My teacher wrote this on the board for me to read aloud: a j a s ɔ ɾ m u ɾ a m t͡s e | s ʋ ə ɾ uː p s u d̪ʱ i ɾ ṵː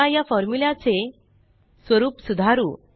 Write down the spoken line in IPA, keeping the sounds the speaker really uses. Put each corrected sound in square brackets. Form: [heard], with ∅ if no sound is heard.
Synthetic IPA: a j a [f] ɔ ɾ m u [l] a [∅] t͡s e | s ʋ ə ɾ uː p s u d̪ʱ [a] ɾ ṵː